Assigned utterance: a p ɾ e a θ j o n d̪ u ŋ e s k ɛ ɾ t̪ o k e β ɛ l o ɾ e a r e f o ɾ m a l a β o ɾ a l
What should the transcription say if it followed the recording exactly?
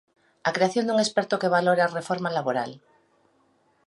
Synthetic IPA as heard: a k ɾ e a θ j o n d̪ u ŋ e s p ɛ ɾ t̪ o k e β a l o ɾ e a r e f o ɾ m a l a β o ɾ a l